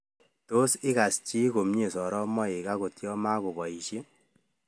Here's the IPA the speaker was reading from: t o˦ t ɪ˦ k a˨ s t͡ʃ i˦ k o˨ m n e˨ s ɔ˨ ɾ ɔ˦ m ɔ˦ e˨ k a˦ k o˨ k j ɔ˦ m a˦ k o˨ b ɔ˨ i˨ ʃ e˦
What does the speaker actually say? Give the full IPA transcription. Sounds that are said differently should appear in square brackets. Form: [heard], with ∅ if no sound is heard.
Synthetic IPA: t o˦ [s] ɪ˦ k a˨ s t͡ʃ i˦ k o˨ m [ɲ] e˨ s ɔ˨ ɾ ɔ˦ m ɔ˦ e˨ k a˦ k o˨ [t] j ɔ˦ m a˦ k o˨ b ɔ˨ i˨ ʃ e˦